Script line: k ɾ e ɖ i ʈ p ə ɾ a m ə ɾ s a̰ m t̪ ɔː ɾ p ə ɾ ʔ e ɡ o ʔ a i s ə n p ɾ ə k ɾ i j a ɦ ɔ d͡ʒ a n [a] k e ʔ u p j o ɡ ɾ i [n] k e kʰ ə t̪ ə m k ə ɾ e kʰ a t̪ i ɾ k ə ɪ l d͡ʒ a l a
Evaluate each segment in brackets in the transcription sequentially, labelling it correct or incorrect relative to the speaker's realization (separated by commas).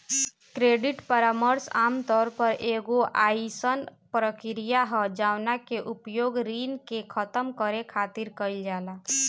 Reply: correct, correct